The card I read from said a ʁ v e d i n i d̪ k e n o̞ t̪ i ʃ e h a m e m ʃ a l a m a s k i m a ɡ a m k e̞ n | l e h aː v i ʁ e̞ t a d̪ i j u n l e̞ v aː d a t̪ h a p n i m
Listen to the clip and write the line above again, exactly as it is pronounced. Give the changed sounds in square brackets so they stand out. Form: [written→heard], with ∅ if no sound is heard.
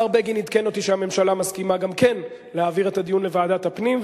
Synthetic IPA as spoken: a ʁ [v→b] e [d→ɡ] i n i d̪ k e n o̞ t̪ i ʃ e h a m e m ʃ a l a m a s k i m a ɡ a m k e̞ n | l e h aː v i ʁ e̞ t a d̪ i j u n l e̞ v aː d a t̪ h a p n i m

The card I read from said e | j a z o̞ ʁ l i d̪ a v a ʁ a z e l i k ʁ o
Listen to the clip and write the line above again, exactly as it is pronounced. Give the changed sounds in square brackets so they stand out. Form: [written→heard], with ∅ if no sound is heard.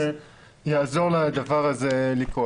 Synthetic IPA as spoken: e | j a z o̞ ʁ l [i→a] d̪ a v a ʁ a z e l i k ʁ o

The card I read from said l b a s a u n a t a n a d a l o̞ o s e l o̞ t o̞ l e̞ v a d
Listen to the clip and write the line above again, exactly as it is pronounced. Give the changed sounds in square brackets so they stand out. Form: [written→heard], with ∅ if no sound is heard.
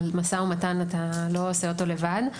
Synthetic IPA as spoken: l [b→m] a s a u [n→m] a t a n a [d→t] a l o̞ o s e [l→∅] o̞ t o̞ l e̞ v a d

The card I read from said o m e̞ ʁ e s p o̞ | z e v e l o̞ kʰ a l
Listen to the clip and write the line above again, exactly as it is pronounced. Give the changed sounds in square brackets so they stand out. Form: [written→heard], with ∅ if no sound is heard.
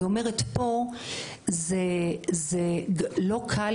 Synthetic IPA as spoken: o m e̞ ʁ e [s→t] p o̞ | z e [v→z] e l o̞ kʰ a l

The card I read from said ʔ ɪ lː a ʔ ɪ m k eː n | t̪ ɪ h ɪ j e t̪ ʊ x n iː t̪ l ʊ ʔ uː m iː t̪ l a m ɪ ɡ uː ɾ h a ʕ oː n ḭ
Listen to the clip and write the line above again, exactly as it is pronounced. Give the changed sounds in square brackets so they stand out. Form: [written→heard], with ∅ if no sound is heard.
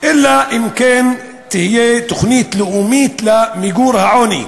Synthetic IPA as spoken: ʔ ɪ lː a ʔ ɪ m k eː n | t̪ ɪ h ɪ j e t̪ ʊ x n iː t̪ l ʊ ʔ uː m iː t̪ l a m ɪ ɡ uː ɾ h a ʕ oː n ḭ

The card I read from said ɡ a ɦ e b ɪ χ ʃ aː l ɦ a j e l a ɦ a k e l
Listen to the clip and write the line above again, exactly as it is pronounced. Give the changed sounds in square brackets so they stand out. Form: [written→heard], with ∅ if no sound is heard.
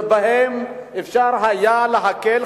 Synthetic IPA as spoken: [ɡ→b] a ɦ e [b→m] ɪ [χ→f] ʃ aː [l→ɾ] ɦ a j [e→a] l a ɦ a k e l

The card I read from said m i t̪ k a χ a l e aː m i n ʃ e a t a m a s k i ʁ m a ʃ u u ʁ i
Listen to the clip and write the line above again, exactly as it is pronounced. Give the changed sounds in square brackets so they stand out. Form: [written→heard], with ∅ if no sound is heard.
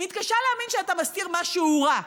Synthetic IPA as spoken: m i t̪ k a [χ→ʃ] a l e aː m i n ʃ e a t a m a s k i ʁ m a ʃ u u ʁ [i→a]

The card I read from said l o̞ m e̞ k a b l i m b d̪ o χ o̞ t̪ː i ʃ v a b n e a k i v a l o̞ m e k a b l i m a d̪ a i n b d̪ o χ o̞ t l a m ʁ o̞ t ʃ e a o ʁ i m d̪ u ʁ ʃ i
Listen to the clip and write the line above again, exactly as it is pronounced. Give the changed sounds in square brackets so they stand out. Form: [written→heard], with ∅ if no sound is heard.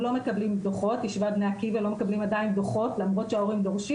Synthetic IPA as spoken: l o̞ m e̞ k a b l i m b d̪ o χ o̞ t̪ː i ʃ v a b n e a k i v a l o̞ m e k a b l i m a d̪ a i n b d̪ o χ o̞ t l a m ʁ o̞ t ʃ e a o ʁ i m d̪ [u→o] ʁ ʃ i

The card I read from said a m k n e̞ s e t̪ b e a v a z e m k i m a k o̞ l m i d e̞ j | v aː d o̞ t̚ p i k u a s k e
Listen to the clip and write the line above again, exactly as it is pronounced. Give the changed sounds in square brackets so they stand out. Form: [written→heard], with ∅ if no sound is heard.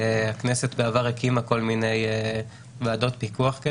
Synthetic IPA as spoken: a [m→∅] k n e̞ s e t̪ b e a v a [z→ʁ] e [m→∅] k i m a k o̞ l m i [d→n] e̞ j | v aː d o̞ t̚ p i k u a [s→χ] k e

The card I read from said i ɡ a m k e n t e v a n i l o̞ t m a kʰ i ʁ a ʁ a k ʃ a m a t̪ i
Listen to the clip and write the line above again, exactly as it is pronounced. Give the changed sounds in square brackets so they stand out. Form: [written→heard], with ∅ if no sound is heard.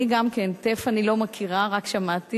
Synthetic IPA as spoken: i ɡ a m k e n t e [v→f] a n i l o̞ [t→∅] m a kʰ i ʁ a ʁ a k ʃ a m a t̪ i

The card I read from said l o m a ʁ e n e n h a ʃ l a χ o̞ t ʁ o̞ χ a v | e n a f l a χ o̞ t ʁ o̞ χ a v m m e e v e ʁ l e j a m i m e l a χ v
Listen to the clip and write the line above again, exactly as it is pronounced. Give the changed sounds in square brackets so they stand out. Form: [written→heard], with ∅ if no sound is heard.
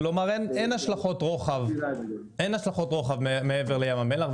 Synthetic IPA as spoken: l o m a ʁ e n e n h a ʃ l a χ o̞ t ʁ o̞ χ a v | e n a [f→ʃ] l a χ o̞ t ʁ o̞ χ a v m m e e v e ʁ l e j a m [i→a] m e l a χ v

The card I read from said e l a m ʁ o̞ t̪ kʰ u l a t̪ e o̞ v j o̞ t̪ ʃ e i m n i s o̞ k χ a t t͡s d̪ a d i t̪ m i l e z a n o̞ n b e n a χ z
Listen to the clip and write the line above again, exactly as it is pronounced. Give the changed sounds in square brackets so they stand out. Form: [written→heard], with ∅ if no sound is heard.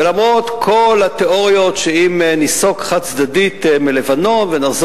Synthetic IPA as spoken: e l a m ʁ o̞ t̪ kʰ [u→o] l a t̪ e o̞ [v→ʁ] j o̞ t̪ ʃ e i m n i s o̞ k χ a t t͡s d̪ a d i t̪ m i l e [z→v] a n o̞ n [b→v] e n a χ z

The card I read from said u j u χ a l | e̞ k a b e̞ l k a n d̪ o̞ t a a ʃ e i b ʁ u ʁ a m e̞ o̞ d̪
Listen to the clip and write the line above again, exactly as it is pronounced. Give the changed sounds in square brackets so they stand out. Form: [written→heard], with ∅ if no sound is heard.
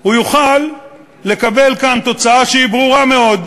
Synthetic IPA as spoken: u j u χ a [l→lː] | e̞ k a b e̞ l k a n [d̪→t̪] o̞ [t→t͡s] a a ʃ e i b ʁ u ʁ a m e̞ o̞ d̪

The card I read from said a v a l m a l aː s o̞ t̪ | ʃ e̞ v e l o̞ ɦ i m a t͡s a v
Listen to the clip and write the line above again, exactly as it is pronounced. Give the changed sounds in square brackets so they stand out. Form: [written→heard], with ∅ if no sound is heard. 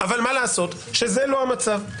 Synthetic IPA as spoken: a v a l m a l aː s o̞ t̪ | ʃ e̞ [v→z] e l o̞ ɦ [i→a] m a t͡s a v

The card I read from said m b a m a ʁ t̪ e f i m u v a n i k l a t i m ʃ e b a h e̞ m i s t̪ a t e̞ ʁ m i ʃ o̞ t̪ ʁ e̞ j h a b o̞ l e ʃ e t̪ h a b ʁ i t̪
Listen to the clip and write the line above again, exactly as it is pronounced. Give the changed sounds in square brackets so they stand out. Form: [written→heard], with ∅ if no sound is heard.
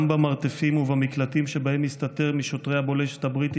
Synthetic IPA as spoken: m b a m a ʁ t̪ e f i m u v a [n→m] i k l a t i m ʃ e b a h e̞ m i s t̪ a t e̞ ʁ m i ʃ o̞ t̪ ʁ e̞ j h a b o̞ l e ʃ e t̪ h a b ʁ i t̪

